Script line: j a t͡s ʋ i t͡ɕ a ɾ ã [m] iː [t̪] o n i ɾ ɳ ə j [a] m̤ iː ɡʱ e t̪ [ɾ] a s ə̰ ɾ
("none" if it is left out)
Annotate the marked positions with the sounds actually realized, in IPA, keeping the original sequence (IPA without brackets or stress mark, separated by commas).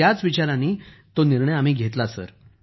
n, t̪, a, l